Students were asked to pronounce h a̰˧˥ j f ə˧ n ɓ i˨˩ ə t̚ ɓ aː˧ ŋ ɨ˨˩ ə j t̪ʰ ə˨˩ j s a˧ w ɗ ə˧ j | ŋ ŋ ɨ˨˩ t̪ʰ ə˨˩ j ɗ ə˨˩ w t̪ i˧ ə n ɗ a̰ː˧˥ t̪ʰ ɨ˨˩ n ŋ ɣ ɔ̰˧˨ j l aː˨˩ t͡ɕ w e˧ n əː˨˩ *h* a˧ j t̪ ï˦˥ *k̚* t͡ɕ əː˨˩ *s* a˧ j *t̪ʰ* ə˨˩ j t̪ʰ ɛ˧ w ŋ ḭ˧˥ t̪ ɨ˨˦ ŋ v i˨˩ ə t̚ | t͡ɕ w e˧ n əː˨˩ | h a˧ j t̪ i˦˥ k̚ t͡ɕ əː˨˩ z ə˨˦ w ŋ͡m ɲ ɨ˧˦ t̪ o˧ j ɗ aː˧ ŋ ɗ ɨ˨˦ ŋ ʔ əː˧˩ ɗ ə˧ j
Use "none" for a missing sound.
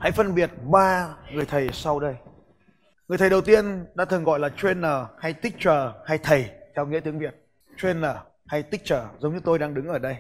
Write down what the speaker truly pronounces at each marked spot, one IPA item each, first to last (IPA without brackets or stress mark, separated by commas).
h, k̚, h, t̪ʰ